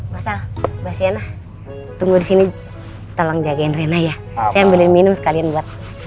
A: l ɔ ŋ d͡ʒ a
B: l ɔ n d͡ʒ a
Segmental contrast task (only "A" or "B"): A